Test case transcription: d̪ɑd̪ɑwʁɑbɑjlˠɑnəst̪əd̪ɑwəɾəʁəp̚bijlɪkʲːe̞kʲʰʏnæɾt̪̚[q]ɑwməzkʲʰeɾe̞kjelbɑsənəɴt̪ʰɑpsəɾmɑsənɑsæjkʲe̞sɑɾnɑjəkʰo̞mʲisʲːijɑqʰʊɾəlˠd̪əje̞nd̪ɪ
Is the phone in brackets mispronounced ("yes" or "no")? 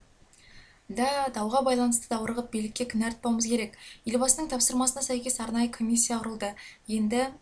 yes